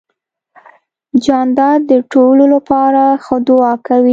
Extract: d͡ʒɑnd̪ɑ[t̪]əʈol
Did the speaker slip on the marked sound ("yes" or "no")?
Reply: yes